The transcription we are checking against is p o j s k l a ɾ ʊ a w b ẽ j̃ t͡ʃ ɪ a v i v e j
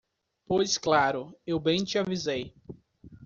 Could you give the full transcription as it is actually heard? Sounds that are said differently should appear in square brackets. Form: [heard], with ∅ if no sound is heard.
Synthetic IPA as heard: p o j s k l a ɾ ʊ [e] w b ẽ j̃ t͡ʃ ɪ a v i [z] e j